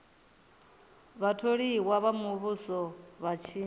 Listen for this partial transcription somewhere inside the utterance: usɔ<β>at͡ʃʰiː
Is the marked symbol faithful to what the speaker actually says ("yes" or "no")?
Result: yes